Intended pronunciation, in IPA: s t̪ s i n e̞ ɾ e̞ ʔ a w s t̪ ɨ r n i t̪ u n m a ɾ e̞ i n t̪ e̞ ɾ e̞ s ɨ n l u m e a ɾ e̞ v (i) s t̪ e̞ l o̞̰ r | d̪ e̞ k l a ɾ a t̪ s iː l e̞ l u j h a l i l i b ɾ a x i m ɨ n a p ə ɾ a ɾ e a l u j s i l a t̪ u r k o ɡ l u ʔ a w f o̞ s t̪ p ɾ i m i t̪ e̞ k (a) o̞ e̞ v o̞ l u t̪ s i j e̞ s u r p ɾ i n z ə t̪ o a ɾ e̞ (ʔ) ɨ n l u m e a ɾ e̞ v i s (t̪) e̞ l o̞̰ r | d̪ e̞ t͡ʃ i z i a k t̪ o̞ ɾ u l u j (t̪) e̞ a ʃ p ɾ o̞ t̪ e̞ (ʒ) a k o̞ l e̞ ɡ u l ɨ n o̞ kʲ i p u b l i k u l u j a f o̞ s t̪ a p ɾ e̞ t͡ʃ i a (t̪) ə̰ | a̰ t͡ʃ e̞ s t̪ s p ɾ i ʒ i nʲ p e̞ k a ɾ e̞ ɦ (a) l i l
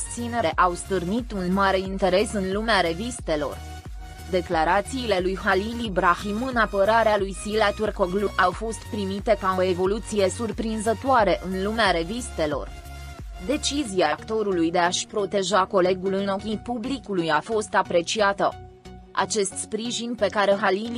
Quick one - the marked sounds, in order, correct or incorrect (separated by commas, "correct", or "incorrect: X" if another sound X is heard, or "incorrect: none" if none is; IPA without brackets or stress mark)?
correct, correct, correct, correct, incorrect: d̪, correct, correct, correct